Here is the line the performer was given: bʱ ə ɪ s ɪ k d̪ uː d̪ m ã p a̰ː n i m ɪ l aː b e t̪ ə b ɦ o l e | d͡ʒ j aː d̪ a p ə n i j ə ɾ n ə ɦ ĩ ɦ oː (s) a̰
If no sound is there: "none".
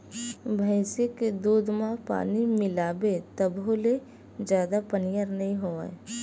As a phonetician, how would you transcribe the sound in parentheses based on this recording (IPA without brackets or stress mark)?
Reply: none